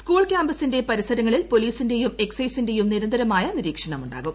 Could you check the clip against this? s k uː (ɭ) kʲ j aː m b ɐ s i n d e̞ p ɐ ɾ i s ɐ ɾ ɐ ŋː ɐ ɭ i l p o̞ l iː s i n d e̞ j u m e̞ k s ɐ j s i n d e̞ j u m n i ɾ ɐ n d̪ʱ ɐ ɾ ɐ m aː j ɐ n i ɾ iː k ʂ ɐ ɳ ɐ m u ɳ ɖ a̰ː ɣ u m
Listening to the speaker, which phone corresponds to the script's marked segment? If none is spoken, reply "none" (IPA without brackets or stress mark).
ɭ